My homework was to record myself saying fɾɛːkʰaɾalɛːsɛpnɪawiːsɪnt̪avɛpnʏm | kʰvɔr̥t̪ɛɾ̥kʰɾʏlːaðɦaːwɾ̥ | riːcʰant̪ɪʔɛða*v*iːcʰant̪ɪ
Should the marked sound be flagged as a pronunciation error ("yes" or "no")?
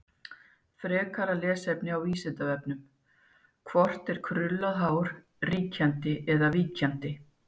no